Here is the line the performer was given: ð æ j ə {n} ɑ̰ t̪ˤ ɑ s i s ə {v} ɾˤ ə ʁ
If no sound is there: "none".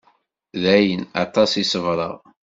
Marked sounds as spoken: n, v

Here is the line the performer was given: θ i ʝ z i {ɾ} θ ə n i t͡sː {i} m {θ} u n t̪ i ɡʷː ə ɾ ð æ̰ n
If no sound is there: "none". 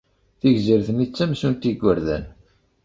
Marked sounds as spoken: ɾ, æ, s

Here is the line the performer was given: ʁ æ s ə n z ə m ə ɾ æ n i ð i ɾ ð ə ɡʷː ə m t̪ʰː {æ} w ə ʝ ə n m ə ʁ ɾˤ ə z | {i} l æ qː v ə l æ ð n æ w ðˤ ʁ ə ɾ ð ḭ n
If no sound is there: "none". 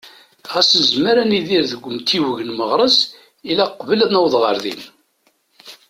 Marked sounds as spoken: i, i

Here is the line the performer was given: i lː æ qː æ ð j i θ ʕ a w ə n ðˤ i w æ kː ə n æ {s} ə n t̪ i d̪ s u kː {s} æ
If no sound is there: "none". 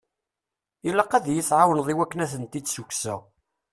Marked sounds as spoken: θ, s

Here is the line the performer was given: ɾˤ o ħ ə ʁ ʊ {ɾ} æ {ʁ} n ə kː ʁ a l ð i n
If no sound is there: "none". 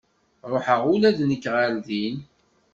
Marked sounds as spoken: l, ð

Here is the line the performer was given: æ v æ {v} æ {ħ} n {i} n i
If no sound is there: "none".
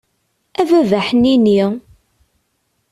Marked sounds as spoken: v, ħ, i

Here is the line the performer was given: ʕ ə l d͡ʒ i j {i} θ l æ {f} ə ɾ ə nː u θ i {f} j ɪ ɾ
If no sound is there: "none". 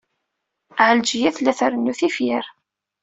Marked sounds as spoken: æ, θ, f

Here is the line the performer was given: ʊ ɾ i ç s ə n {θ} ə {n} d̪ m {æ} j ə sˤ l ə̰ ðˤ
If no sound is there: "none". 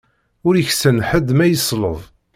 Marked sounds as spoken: ħ, none, æ

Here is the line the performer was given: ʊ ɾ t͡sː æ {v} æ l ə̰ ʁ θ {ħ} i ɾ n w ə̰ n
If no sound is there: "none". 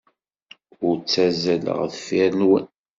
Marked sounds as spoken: z, f

